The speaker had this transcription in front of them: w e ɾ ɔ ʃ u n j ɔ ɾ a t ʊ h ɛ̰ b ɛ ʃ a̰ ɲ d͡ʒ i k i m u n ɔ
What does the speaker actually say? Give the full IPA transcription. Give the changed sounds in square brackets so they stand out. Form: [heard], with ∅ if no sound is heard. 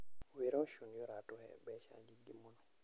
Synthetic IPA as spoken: w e ɾ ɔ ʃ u n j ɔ ɾ a t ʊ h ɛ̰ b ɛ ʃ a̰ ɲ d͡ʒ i [ɡ] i m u n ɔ